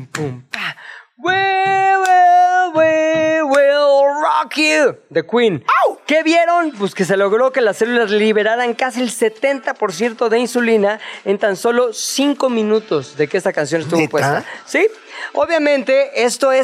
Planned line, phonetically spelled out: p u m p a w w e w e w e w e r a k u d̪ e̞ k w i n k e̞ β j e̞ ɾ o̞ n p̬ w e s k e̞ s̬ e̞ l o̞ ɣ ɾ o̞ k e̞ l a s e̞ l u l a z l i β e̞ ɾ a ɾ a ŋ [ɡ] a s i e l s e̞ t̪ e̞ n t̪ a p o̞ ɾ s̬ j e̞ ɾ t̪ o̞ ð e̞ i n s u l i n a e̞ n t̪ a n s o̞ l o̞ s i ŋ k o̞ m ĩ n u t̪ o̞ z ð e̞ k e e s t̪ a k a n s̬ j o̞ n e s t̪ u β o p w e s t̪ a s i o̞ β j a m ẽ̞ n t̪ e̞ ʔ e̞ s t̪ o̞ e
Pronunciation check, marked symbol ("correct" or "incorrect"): incorrect